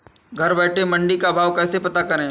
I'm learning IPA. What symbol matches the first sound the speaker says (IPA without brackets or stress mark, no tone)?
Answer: ɡʱ